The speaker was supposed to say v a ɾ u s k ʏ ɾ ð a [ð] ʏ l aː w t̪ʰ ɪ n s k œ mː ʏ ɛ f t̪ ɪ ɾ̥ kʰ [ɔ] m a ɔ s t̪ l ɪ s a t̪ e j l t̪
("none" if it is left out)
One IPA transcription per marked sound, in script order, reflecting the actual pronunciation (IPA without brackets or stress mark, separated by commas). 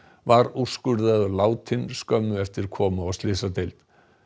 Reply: ð, ɔː